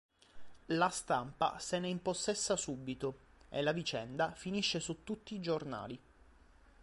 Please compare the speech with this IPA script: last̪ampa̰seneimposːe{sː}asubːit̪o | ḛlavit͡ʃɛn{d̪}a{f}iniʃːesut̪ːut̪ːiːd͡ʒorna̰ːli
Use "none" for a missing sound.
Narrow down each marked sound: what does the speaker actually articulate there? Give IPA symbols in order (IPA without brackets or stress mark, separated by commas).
sː, d̪, f